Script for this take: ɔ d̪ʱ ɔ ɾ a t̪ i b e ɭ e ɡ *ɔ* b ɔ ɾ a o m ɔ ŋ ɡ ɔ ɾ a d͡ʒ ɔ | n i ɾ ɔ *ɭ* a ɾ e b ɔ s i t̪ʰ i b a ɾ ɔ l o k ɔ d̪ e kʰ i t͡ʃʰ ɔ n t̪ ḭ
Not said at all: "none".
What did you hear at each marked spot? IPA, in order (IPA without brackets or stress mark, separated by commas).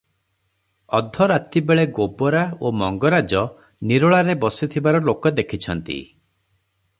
o, ɭ